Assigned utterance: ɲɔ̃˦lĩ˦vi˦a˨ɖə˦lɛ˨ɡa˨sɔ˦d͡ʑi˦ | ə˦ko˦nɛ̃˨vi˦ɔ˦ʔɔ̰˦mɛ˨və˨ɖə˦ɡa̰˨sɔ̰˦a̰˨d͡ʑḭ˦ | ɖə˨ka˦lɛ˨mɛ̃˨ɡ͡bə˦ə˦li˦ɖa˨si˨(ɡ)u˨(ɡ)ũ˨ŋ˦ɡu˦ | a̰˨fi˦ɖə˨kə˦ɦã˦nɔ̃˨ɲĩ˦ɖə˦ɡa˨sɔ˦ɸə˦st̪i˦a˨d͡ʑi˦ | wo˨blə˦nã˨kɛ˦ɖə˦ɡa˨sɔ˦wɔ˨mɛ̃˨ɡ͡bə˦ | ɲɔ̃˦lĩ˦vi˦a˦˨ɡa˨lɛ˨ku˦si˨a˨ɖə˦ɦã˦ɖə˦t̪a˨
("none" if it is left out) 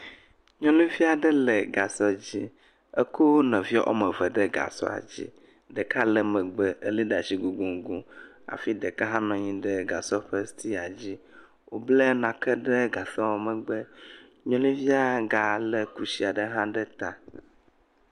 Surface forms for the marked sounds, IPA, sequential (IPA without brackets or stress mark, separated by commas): ɡ, ɡ